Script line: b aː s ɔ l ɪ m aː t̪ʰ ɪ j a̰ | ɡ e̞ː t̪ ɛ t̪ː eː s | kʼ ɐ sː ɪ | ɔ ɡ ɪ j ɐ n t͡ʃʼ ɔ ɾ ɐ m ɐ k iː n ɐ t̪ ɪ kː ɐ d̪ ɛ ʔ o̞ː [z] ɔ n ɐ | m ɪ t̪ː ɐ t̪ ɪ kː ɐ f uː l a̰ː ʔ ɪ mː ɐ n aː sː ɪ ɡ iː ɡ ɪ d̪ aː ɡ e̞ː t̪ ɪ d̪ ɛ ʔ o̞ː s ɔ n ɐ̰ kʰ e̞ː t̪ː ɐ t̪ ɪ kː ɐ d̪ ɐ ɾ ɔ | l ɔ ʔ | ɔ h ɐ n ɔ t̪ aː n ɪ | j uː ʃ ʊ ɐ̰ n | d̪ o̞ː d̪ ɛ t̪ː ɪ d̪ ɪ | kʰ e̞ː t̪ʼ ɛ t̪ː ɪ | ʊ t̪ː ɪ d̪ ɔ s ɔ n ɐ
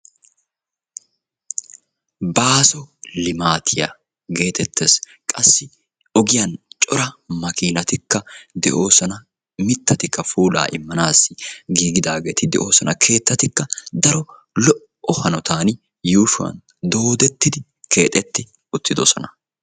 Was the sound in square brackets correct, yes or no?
no